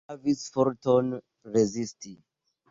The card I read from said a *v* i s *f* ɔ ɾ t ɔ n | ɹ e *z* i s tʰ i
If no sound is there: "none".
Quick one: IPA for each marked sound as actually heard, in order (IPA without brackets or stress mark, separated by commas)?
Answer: v, f, z